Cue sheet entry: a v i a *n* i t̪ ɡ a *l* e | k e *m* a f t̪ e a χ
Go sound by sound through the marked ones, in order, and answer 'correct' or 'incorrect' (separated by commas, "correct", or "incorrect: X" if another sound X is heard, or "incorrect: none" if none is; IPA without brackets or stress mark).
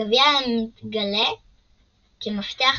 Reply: incorrect: m, correct, correct